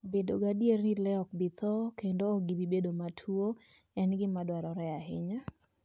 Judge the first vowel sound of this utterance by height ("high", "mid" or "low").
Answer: mid